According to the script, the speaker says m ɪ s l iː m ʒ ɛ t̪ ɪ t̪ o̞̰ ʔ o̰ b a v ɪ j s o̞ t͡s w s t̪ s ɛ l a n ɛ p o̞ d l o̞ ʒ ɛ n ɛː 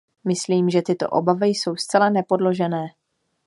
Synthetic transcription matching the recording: m ɪ s l iː m ʒ ɛ t̪ ɪ t̪ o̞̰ ʔ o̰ b a v ɪ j s o̞ w s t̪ t͡s ɛ l a n ɛ p o̞ d l o̞ ʒ ɛ n ɛː